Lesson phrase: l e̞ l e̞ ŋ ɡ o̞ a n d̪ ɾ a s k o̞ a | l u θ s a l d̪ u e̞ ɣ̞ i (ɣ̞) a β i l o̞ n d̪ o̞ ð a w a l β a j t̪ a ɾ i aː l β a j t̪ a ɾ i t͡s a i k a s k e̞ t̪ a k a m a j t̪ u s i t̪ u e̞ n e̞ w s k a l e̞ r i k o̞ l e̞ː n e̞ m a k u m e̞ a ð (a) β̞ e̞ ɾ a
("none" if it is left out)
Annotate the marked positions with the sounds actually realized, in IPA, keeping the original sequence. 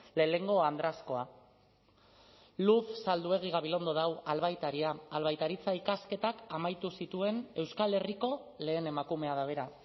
ɣ̞, a

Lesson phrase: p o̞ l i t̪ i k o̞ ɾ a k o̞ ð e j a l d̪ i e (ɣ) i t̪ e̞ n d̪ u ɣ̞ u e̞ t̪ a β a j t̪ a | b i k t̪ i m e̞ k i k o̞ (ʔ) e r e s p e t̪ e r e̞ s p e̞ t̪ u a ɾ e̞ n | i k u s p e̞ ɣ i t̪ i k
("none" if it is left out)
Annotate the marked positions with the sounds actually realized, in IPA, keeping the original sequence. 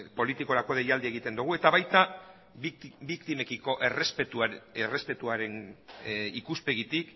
ɣ, ʔ

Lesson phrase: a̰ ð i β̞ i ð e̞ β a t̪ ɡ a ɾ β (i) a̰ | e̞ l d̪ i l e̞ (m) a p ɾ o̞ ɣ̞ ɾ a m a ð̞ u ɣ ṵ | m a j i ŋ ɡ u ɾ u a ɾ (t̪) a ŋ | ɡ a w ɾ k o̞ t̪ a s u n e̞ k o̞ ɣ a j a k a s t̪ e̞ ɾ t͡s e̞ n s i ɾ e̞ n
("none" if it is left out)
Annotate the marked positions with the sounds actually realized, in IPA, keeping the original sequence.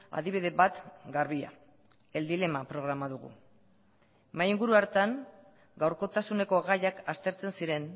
i, m, t̪

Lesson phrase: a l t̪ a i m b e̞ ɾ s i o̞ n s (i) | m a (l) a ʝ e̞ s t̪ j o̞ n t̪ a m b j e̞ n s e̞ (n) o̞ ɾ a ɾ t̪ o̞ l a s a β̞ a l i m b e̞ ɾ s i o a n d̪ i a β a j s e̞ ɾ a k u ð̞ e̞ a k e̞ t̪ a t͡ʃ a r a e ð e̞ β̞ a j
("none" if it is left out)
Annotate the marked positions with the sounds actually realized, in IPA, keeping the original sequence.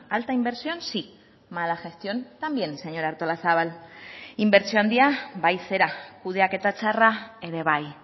i, l, ɲ

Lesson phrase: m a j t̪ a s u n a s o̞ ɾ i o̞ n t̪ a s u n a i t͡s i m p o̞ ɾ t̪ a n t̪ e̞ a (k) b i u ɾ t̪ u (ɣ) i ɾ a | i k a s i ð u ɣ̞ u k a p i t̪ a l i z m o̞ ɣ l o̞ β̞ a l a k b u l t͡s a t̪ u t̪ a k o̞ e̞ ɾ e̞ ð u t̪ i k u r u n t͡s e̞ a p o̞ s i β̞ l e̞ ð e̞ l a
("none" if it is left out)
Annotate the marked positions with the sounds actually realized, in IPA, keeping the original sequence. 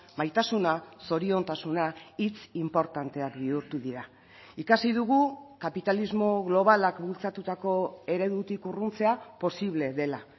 k, ð

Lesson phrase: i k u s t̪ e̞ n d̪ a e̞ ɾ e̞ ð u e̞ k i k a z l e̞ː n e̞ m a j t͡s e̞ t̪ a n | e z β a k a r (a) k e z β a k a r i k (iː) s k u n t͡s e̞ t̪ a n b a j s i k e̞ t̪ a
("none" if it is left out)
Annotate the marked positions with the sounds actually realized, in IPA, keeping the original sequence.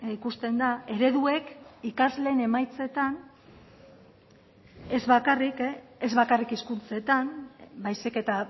i, i

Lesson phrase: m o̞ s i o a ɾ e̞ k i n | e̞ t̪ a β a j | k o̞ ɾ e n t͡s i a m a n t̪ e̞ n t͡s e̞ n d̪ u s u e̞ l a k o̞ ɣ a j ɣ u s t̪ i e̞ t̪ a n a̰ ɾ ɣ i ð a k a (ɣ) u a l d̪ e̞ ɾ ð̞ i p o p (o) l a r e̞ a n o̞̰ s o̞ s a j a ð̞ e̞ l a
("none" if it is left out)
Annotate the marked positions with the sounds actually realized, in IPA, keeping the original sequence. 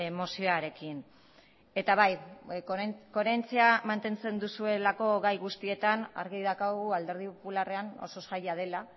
ɣ, u

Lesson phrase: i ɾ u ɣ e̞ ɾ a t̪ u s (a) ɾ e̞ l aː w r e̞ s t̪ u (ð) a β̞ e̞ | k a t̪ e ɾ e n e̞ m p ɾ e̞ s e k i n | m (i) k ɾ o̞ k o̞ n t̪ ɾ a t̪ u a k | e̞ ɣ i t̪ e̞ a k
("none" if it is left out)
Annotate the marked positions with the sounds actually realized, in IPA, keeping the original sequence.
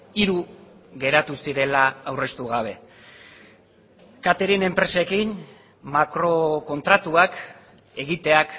i, ɣ, a

